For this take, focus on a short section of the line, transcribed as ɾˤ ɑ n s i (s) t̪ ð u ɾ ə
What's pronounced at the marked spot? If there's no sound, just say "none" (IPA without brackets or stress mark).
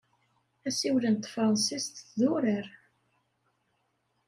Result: s